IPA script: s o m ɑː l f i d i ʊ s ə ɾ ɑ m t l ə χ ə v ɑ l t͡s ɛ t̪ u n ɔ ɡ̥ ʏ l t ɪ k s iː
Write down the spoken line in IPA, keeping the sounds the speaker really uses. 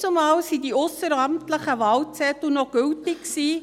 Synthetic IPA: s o m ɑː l s i d i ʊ s ə ɾ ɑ m t l ə χ ə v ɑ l t͡s ɛ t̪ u n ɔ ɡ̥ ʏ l t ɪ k s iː